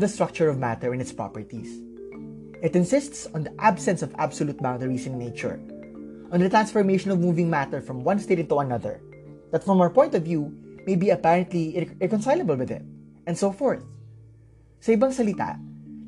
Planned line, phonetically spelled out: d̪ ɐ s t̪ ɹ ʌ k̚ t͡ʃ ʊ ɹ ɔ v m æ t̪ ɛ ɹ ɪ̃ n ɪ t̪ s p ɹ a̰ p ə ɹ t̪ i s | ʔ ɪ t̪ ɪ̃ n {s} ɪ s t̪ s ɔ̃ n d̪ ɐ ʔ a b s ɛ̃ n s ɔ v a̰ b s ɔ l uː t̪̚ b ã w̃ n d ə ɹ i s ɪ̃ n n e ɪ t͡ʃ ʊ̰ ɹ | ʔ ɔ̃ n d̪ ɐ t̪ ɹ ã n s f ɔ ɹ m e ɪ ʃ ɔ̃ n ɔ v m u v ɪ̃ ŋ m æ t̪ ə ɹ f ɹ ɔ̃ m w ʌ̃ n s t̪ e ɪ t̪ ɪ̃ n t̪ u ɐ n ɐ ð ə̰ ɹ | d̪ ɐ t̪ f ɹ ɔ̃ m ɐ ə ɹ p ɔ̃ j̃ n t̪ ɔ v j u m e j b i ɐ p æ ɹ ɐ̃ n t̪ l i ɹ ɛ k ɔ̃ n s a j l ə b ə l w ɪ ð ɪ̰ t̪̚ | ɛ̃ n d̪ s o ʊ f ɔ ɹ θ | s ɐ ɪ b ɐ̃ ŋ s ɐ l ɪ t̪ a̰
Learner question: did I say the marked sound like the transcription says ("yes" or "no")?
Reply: yes